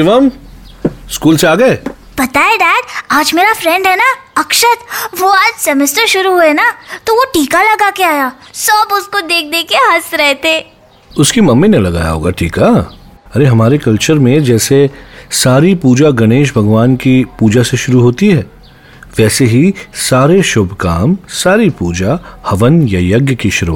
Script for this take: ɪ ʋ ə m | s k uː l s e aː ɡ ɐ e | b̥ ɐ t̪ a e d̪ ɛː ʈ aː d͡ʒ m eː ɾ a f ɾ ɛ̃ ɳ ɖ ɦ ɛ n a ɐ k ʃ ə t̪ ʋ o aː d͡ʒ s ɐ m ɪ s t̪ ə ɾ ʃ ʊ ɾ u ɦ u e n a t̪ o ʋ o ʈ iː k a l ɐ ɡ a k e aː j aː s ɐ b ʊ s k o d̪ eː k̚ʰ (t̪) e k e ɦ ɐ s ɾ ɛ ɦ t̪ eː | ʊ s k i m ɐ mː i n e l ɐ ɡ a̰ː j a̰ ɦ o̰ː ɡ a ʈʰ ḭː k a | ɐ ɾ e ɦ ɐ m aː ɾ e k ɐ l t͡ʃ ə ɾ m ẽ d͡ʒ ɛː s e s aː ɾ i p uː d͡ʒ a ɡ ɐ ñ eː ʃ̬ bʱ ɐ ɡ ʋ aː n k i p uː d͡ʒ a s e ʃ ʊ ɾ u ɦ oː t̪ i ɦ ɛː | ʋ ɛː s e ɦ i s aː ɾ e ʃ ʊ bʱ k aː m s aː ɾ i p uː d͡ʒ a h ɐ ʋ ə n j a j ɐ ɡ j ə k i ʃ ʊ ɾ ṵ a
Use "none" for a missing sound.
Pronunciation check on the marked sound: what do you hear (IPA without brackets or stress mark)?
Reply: d̪